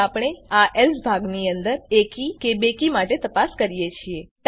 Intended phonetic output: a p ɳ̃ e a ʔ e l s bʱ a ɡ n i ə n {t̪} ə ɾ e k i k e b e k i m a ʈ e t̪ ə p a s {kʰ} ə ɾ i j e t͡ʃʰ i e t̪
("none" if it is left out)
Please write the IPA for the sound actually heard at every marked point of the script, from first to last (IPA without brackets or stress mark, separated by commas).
d̪, k